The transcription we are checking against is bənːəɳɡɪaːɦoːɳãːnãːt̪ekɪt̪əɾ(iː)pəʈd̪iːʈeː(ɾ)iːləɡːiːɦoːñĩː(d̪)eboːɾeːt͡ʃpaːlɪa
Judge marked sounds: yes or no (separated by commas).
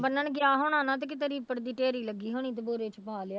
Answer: yes, yes, no